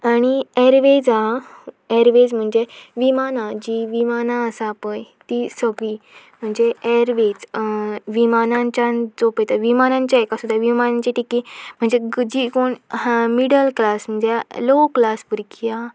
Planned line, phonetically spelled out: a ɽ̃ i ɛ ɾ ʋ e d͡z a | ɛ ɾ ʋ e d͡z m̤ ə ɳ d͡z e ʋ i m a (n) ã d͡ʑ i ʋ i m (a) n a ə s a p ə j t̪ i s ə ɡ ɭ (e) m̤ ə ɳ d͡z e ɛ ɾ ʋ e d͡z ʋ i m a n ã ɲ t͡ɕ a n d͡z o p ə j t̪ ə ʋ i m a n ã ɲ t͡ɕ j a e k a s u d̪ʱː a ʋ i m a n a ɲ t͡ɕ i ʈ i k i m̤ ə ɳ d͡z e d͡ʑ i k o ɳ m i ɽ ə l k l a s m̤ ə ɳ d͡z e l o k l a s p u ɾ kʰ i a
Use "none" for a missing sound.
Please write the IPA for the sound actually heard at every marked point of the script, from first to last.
n, a, i

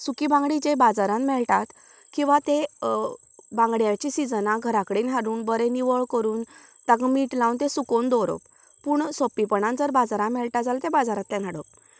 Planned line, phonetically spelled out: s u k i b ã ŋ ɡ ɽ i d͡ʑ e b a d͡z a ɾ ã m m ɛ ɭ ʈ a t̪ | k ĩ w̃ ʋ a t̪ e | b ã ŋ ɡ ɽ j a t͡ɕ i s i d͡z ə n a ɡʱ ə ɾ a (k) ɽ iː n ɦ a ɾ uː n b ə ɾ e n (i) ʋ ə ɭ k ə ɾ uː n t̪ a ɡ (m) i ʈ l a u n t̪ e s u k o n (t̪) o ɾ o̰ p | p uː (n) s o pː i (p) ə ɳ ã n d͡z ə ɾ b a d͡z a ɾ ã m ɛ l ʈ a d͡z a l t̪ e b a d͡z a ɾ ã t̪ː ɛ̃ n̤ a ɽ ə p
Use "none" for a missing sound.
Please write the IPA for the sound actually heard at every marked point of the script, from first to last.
k, i, m, d̪, ɳ, p

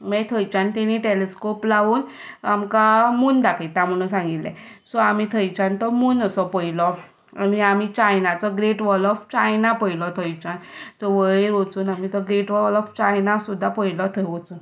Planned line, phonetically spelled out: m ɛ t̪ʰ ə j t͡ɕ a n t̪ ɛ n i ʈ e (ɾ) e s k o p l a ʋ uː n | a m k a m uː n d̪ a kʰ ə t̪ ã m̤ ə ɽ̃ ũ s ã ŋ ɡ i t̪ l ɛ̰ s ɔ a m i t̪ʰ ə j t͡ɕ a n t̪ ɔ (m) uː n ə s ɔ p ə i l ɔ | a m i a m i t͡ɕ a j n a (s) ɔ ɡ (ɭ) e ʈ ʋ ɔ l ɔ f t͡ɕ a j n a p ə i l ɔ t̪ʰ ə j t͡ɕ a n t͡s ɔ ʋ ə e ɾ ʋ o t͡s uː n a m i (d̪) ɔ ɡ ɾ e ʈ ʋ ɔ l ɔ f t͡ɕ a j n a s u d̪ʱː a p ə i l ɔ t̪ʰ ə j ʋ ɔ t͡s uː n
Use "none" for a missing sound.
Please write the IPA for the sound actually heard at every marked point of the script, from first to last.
l, m, t͡s, ɾ, t̪

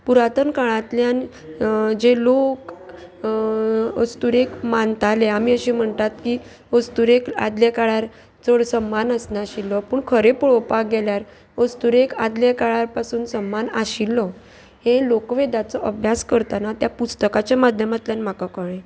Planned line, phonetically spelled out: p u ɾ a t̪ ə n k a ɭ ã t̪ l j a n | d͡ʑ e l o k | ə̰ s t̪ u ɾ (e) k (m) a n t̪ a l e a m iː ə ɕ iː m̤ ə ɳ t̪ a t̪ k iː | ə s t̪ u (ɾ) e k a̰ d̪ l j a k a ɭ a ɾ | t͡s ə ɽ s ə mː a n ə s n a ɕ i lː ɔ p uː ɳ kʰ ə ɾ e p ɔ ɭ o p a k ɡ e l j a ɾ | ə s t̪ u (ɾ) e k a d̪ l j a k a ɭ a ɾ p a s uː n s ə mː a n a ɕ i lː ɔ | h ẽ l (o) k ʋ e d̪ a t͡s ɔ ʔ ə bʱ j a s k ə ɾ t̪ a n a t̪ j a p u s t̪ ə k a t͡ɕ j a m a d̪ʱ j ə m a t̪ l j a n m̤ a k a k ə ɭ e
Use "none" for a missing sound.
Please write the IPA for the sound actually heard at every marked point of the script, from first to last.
e, m, ɾ, ɾ, o

